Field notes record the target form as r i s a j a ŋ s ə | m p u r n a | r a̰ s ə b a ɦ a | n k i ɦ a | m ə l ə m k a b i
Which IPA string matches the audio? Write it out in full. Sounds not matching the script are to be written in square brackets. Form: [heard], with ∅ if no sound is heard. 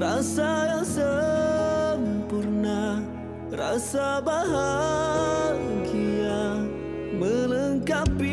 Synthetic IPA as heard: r [a] s a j a ŋ s ə | m p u r n a | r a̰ s [a] b a ɦ a | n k i [∅] a | m ə l ə [ŋ] k a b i